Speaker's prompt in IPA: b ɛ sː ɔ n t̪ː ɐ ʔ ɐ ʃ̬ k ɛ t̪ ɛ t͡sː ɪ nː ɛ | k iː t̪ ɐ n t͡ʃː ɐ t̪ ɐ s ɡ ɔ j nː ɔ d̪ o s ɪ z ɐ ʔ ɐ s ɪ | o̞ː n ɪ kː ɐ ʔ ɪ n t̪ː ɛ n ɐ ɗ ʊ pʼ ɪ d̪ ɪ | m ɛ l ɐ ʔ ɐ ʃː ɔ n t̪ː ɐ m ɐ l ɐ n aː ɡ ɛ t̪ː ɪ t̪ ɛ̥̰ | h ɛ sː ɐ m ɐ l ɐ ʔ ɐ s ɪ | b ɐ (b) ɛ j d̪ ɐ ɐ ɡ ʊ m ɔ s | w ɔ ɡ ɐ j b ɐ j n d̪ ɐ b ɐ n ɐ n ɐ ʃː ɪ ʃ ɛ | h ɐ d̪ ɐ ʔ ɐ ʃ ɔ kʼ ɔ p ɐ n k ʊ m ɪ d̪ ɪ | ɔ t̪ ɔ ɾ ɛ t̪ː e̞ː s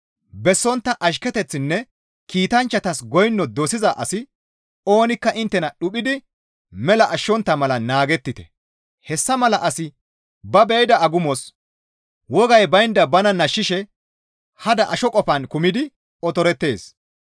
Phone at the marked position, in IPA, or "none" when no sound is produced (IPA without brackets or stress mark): b